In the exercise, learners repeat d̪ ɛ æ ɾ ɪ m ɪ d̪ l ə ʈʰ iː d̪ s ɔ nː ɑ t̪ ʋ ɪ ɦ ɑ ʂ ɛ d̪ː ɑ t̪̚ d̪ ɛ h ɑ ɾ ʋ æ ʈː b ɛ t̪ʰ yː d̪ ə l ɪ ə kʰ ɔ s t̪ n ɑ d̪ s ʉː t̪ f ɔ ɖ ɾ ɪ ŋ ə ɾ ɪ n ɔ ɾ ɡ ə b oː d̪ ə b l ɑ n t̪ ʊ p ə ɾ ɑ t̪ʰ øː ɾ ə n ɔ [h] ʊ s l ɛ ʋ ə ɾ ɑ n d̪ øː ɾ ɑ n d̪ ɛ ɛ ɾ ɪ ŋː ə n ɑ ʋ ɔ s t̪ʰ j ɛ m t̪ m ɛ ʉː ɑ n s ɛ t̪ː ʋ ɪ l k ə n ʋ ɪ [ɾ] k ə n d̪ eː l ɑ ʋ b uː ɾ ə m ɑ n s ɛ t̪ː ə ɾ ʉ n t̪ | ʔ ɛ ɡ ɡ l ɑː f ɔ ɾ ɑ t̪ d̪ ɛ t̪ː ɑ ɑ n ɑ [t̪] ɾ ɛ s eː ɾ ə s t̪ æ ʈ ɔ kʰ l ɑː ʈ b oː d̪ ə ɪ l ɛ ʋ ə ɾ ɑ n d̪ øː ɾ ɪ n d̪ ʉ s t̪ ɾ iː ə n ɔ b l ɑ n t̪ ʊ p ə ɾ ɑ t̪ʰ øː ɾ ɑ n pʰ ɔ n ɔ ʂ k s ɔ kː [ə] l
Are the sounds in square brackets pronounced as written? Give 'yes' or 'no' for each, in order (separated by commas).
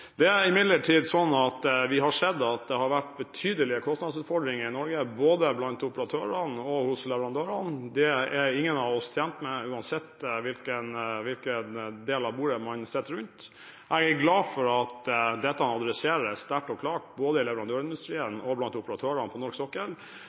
yes, no, no, yes